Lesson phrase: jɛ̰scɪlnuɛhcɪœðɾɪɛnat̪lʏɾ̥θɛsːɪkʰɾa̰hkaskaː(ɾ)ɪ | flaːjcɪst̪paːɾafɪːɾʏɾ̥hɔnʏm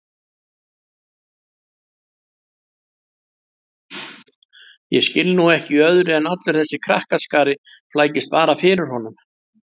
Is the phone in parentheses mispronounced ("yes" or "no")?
no